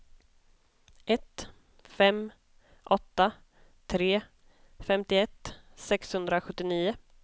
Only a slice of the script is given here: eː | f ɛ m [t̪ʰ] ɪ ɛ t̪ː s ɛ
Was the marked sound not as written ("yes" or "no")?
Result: yes